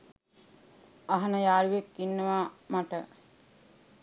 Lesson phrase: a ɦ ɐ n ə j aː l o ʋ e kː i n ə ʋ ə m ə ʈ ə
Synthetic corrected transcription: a ɦ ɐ n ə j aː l u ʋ e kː i nː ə ʋ a m a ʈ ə